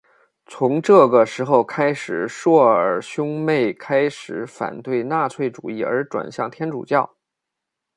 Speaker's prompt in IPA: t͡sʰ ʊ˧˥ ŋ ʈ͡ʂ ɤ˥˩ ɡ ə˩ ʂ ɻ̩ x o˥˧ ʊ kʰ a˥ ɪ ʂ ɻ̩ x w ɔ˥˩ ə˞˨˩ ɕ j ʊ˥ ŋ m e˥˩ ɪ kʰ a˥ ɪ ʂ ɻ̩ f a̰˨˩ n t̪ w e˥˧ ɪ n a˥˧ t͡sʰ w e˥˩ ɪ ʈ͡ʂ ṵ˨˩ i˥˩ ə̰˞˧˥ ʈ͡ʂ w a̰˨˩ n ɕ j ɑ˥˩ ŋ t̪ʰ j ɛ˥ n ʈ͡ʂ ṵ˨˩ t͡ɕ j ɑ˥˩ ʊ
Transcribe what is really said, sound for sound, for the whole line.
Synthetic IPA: t͡sʰ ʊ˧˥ ŋ ʈ͡ʂ ɤ˥˩ ɡ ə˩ ʂ ɻ̩ x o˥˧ ʊ kʰ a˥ ɪ ʂ ɻ̩ ʂ w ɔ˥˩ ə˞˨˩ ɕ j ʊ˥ ŋ m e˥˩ ɪ kʰ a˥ ɪ ʂ ɻ̩ f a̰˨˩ n t̪ w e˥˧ ɪ n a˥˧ t͡sʰ w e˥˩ ɪ ʈ͡ʂ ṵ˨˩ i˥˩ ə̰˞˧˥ ʈ͡ʂ w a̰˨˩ n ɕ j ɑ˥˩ ŋ t̪ʰ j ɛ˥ n ʈ͡ʂ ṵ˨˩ t͡ɕ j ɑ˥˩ ʊ